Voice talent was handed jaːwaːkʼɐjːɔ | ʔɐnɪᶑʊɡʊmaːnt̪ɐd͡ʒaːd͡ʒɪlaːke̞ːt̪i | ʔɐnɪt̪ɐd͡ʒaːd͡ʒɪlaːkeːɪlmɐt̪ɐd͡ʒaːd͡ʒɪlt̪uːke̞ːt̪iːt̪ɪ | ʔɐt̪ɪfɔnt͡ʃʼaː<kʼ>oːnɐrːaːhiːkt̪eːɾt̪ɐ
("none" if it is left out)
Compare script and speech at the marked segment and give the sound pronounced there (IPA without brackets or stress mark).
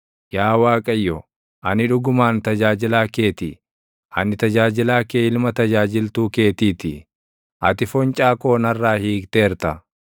k